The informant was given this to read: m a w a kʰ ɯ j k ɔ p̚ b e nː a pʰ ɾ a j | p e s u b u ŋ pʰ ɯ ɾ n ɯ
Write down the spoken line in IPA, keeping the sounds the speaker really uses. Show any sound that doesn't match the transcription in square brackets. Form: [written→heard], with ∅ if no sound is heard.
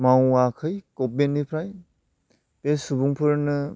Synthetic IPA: m a w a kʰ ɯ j k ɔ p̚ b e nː [a→i] pʰ ɾ a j | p e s u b u ŋ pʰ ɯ ɾ n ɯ